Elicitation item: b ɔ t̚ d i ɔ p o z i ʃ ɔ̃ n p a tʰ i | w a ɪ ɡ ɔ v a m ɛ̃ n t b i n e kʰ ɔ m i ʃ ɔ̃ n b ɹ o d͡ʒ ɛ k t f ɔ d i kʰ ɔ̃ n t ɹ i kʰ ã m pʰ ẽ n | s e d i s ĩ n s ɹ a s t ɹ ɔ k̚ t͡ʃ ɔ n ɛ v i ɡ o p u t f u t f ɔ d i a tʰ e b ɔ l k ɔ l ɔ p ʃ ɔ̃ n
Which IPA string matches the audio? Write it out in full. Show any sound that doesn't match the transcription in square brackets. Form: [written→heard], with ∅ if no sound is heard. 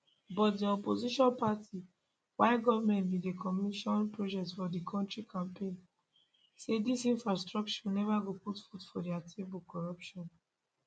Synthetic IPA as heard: b ɔ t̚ d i ɔ p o z i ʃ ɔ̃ n p a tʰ i | w a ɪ ɡ ɔ v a m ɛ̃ n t b i [n→d] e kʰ ɔ m i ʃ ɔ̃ n [b→p] ɹ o d͡ʒ ɛ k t f ɔ d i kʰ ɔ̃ n t ɹ i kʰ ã m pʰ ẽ n | s e d i s ĩ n [s→f] ɹ a s t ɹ ɔ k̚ t͡ʃ ɔ n ɛ v [i→a] ɡ o p u t f u t f ɔ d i a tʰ e b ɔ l k ɔ [l→ɹ] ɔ p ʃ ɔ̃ n